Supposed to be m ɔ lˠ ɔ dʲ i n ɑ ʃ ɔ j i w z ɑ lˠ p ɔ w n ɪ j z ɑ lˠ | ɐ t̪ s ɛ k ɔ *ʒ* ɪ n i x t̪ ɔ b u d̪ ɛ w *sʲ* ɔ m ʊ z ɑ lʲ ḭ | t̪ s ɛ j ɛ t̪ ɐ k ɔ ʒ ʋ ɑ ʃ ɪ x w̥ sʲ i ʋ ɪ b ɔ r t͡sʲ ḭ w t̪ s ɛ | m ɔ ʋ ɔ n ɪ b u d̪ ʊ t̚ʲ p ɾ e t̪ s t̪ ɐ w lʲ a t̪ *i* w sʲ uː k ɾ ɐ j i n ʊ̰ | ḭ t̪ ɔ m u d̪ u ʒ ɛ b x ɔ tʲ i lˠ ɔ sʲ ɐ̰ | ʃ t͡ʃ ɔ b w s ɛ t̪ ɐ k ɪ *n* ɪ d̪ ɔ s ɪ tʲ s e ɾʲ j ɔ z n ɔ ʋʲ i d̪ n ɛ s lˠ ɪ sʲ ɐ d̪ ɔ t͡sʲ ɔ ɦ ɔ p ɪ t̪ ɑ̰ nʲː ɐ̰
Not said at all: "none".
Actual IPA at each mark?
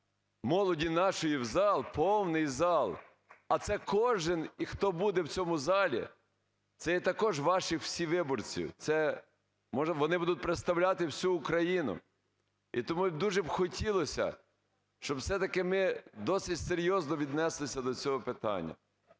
ʒ, t͡sʲ, ɪ, m

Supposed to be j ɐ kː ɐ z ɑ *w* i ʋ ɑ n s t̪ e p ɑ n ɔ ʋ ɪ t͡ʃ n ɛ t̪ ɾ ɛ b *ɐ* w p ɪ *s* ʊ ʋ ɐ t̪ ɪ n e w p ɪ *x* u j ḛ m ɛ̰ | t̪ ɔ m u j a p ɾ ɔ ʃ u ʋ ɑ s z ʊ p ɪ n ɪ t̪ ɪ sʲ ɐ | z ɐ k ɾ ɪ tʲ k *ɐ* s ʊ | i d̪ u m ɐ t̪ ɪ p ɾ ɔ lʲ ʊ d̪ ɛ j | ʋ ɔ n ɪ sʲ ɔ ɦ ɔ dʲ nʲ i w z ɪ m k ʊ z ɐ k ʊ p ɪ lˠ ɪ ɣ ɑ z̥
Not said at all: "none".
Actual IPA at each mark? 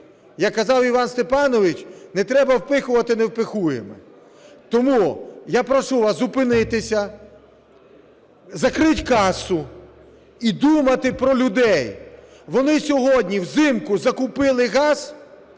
w, ɐ, x, x, ɑ

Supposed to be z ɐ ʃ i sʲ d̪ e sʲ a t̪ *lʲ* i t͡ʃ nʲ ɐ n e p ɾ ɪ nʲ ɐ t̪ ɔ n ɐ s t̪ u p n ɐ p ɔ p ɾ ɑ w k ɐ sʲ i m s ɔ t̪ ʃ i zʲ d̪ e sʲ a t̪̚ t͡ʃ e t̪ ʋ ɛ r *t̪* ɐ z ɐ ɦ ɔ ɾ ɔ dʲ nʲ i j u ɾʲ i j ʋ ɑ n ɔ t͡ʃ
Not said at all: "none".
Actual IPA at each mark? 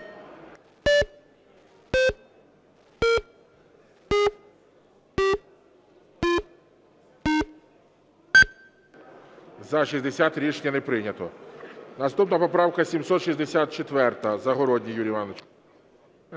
ɾʲ, t̪

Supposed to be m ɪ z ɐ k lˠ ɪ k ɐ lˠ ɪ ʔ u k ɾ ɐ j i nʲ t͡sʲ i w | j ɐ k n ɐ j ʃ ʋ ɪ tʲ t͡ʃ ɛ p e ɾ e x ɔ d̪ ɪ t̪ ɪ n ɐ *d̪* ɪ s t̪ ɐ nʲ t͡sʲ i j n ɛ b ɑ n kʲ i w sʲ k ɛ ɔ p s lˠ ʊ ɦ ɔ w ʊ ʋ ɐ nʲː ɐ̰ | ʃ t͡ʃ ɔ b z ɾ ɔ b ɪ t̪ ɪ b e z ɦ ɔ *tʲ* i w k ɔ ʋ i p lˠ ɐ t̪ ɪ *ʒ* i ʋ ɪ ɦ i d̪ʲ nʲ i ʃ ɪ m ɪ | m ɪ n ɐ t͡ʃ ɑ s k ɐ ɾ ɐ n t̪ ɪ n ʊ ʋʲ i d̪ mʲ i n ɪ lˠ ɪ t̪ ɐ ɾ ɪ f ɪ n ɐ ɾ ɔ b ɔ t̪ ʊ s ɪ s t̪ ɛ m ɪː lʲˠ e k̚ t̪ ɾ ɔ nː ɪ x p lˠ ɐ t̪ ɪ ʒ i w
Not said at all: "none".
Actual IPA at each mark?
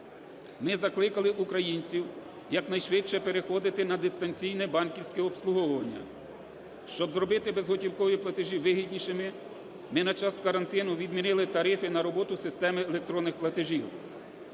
d̪, tʲ, ʒ

